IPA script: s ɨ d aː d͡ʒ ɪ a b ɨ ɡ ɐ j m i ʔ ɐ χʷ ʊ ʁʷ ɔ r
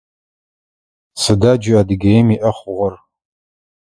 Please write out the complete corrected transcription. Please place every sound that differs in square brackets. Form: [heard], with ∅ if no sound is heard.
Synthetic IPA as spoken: s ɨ d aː d͡ʒ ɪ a [d] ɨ ɡ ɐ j m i ʔ ɐ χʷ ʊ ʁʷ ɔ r